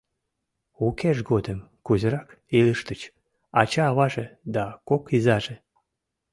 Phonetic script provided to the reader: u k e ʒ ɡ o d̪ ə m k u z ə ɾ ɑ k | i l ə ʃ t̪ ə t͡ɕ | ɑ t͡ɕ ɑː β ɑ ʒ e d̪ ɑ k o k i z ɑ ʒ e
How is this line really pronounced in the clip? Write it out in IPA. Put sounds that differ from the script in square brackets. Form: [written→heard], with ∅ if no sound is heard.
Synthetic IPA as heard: u k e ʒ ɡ o d̪ ə m k u z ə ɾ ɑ k | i l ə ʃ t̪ ə t͡ɕ | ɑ t͡ɕ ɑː β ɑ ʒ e d̪ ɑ k o k i z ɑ ʒ e

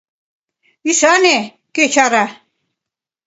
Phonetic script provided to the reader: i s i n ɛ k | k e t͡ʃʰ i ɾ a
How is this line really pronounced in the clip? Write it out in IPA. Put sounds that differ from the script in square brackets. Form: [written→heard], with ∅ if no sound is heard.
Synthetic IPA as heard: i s [i→a] n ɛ [k→∅] | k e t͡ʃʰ [i→a] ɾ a

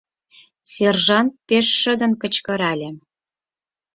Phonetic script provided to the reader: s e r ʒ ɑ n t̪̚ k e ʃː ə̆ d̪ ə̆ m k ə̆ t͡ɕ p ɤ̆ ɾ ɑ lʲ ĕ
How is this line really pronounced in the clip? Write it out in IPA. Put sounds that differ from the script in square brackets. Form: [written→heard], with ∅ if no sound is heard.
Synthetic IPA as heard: s e r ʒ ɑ n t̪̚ [k→p] e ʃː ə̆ d̪ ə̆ [m→n] k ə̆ t͡ɕ [p→k] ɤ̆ ɾ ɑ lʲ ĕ

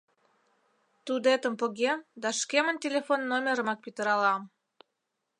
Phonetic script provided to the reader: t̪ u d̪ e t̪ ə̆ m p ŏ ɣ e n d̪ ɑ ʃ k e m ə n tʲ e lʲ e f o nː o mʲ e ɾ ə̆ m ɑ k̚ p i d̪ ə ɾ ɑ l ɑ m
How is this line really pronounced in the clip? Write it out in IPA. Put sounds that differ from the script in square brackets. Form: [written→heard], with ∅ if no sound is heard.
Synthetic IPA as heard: t̪ u d̪ e t̪ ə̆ m p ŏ ɣ e [n→m] d̪ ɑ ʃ k e m ə n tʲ e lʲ e f o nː o mʲ e ɾ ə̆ m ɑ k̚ p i [d̪→t̪] ə ɾ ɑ l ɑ m

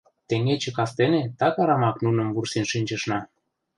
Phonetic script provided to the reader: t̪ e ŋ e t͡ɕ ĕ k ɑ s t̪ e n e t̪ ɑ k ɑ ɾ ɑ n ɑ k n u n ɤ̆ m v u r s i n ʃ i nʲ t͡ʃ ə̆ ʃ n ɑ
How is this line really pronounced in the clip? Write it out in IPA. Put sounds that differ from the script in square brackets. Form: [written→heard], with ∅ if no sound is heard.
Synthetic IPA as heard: t̪ e ŋ e t͡ɕ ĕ k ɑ s t̪ e n e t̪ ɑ k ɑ ɾ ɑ [n→m] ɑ k n u n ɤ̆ m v u r s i n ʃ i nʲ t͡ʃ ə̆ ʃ n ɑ

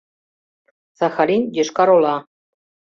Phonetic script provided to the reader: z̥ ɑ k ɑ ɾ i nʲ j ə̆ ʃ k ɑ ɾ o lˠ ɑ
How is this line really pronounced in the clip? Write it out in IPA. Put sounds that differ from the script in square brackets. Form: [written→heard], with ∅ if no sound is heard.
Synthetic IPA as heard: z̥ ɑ [k→x] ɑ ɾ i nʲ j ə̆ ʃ k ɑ ɾ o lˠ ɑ

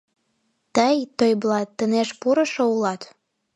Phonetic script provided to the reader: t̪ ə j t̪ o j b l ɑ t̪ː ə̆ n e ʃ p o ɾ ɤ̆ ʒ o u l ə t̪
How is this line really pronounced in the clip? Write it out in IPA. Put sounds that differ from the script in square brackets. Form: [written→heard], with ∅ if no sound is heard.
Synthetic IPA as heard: t̪ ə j t̪ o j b l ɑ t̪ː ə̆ n e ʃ p [o→u] ɾ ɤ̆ [ʒ→ʃ] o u l [ə→ɑ] t̪

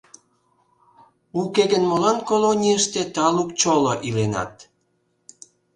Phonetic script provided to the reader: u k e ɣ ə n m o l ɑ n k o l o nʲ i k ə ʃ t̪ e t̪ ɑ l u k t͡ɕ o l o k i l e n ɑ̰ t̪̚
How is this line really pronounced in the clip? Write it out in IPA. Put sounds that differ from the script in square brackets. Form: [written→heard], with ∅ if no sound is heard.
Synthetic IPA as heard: u k e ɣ ə n m o l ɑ n k o l o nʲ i [k→∅] ə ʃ t̪ e t̪ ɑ l u k t͡ɕ o l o [k→ʔ] i l e n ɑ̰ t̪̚

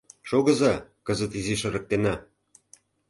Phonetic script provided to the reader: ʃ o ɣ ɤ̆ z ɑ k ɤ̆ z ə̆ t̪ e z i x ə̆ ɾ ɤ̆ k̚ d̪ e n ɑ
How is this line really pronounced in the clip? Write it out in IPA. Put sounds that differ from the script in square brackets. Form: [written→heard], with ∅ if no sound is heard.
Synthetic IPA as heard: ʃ o ɣ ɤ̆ z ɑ k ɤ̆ z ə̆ t̪ [e→i] z i [x→ʃ] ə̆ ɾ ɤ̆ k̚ [d̪→t̪] e n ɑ

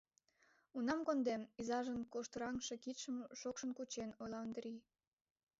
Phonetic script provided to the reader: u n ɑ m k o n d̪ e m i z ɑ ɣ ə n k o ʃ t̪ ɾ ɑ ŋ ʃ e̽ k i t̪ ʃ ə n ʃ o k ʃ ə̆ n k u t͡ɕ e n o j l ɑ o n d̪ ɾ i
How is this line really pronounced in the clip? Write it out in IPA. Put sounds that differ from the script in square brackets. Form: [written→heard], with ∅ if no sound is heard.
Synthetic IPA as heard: u n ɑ m k o n d̪ e m i z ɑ [ɣ→ʒ] ə n k o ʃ t̪ ɾ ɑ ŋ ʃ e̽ k i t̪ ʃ ə [n→m] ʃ o k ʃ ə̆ n k u t͡ɕ e n o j l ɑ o n d̪ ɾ i

